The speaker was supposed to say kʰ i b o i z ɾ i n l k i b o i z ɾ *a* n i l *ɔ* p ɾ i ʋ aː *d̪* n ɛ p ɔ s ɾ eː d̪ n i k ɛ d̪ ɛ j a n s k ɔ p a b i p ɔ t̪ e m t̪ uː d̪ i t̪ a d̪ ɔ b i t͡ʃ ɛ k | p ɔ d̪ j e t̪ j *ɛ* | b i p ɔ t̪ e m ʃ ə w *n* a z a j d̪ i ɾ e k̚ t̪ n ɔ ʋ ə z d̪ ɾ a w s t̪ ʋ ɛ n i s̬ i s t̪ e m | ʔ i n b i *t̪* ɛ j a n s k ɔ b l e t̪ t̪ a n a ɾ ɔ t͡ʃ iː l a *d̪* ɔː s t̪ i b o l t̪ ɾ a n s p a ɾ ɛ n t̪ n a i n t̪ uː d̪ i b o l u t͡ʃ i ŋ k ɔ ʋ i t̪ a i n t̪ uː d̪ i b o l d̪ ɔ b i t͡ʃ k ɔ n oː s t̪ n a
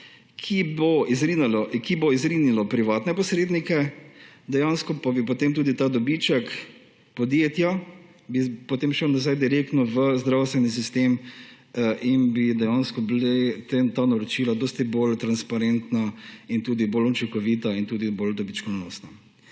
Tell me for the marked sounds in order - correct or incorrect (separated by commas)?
incorrect, correct, incorrect, incorrect, correct, incorrect, correct